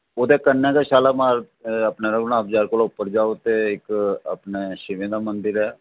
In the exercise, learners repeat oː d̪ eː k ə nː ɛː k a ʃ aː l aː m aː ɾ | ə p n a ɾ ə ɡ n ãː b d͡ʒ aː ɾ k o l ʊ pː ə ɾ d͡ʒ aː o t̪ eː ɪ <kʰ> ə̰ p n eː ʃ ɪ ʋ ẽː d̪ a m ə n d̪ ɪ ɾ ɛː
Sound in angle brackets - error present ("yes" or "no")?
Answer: yes